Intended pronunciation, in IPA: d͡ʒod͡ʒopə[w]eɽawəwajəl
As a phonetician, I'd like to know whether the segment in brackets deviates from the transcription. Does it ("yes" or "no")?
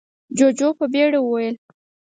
yes